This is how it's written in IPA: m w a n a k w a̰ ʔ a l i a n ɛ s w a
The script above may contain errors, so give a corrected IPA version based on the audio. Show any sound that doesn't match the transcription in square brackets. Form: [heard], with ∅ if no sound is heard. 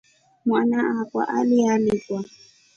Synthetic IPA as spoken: m w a n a k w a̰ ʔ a l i a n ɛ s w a